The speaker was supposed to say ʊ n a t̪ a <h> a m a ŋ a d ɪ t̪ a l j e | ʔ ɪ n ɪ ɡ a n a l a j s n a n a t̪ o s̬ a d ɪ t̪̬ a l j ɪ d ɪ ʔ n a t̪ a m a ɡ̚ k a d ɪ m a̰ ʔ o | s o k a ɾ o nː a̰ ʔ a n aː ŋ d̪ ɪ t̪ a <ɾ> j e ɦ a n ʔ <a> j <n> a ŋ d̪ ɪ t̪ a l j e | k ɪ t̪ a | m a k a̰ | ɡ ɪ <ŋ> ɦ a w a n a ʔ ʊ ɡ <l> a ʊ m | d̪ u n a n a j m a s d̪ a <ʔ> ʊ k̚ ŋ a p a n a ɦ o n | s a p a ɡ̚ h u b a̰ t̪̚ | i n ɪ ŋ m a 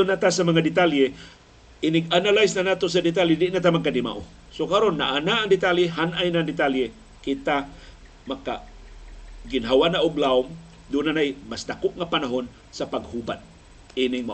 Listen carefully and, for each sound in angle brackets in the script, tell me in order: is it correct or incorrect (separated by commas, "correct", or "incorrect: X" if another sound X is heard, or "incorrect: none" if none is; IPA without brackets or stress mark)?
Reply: incorrect: s, incorrect: l, correct, correct, incorrect: n, correct, incorrect: k